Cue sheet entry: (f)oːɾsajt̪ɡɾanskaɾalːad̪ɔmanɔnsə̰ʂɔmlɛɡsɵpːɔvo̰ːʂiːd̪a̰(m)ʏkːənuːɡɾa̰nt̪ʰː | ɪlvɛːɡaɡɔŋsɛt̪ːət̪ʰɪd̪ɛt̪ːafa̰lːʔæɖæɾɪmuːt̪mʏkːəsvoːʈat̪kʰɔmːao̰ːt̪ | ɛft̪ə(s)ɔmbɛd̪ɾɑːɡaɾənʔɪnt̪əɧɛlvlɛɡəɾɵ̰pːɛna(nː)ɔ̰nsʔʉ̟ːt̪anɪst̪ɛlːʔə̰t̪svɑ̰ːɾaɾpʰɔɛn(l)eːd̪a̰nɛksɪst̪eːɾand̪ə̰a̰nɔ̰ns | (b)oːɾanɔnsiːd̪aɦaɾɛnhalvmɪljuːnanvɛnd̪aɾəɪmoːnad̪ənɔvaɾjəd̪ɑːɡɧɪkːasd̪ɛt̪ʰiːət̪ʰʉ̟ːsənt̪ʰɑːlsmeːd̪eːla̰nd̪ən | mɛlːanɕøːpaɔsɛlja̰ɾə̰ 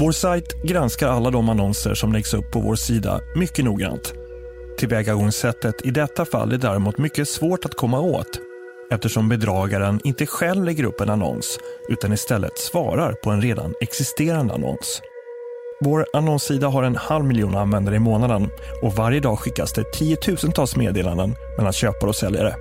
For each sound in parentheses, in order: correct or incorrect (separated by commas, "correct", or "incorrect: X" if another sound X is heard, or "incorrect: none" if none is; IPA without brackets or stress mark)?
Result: incorrect: v, correct, incorrect: ʂ, incorrect: n, incorrect: ɾ, incorrect: v